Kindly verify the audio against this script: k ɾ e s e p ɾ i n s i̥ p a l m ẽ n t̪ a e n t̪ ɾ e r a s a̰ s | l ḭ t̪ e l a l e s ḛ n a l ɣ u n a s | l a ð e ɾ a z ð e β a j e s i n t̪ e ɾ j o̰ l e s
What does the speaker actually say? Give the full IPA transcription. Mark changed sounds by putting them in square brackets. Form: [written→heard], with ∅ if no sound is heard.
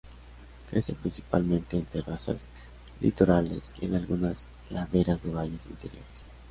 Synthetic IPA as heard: k ɾ e s e p ɾ i n s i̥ p a l m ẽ n t̪ [a→e] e n t̪ ɾ e r a s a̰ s | l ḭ t̪ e [l→ɾ] a l e s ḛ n a l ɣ u n a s | l a ð e ɾ a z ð e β a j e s i n t̪ e ɾ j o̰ [l→ɾ] e s